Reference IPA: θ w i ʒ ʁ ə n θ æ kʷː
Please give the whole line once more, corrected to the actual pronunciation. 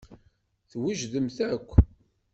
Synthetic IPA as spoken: θ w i ʒ ð ə m θ æ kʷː